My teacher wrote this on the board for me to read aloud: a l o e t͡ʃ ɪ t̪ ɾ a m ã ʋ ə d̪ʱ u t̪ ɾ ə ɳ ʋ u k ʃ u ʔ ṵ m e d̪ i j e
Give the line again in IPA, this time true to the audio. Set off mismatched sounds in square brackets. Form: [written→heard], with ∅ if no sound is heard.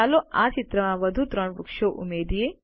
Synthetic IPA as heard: a l o [e→a] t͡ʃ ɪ t̪ ɾ [a→ə] m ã ʋ ə d̪ʱ u t̪ ɾ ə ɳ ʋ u k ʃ [u→o] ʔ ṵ m e d̪ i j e